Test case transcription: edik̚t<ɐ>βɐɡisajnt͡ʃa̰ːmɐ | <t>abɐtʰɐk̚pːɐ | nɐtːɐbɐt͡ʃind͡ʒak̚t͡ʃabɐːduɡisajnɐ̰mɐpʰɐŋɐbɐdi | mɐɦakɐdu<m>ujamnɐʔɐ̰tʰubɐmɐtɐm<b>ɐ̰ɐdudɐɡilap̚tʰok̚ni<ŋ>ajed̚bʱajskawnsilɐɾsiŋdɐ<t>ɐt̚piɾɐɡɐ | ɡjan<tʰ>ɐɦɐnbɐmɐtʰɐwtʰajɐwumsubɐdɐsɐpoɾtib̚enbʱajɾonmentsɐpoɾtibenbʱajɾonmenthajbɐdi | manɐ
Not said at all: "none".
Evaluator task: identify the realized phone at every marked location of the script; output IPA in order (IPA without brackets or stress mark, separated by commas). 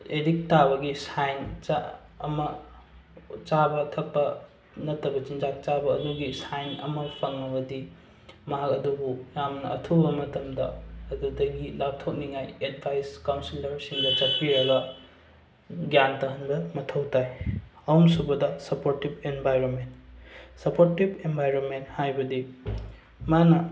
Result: a, t͡ʃ, b, d, ŋ, t͡ʃ, t